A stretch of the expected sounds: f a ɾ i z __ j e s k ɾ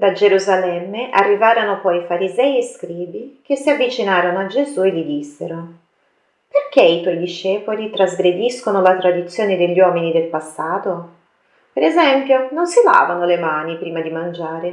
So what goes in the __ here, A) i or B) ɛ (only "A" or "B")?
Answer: B